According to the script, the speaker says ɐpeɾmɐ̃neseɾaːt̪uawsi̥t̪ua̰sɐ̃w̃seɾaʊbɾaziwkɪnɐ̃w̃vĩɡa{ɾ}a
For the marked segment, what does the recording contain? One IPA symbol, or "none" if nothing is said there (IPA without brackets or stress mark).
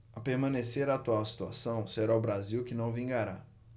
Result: ɾ